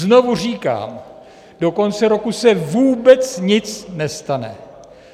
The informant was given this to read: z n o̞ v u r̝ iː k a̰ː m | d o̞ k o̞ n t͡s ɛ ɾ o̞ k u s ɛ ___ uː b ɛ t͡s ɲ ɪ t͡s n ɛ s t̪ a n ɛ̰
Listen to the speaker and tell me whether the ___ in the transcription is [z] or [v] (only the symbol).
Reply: v